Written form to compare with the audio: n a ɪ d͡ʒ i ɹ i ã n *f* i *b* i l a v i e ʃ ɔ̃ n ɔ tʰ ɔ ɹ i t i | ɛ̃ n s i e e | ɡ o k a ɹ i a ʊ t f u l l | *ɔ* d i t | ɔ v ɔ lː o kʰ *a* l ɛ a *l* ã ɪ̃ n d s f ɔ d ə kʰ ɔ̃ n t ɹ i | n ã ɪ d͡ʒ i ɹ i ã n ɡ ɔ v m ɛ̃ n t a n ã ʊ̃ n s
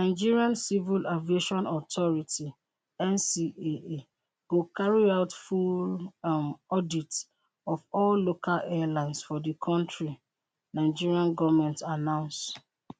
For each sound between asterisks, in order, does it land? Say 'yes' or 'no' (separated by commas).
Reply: no, no, yes, yes, yes